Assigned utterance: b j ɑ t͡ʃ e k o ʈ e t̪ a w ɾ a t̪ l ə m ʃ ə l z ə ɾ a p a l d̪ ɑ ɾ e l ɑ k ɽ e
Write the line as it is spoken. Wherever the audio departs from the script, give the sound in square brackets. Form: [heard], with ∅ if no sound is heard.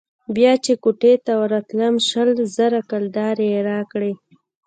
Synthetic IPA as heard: b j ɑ t͡ʃ e k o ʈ e t̪ a w ɾ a t̪ l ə m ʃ ə l z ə ɾ a [k] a l d̪ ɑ ɾ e [ɾ] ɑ k ɽ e